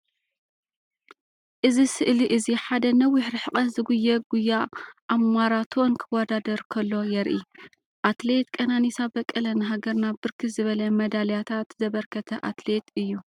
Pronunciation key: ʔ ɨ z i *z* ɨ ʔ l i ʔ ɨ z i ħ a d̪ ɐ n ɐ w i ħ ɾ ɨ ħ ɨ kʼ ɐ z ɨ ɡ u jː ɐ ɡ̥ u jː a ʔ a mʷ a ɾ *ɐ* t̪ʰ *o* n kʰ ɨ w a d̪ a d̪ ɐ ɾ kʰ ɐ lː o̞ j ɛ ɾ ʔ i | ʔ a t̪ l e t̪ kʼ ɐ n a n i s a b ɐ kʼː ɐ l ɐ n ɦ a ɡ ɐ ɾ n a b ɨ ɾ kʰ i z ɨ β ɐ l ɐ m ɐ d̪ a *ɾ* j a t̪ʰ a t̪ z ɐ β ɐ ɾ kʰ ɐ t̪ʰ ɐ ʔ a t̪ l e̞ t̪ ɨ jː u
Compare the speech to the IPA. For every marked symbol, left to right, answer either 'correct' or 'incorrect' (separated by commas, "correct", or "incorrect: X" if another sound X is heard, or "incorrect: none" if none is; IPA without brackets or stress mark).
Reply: incorrect: s, incorrect: a, correct, incorrect: l